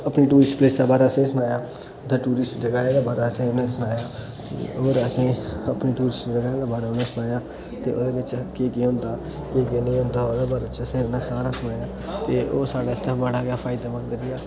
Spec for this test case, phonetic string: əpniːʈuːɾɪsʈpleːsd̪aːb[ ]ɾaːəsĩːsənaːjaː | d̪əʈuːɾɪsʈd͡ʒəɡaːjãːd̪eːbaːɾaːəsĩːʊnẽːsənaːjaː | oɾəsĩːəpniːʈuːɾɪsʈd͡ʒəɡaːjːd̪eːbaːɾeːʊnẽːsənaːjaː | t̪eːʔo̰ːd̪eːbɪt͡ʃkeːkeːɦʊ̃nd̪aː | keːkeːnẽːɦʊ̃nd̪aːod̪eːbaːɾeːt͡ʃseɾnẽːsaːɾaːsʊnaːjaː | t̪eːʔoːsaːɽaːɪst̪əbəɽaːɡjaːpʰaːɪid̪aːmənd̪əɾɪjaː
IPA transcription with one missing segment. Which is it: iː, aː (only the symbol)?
aː